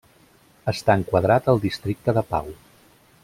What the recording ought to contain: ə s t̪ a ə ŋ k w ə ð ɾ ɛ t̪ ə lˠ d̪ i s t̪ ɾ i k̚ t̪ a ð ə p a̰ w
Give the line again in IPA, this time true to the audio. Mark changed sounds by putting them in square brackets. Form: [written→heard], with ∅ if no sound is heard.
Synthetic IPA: ə s t̪ a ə ŋ k w ə ð ɾ [ɛ→a] t̪ ə lˠ d̪ i s t̪ ɾ i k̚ t̪ [a→ə] ð ə p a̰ w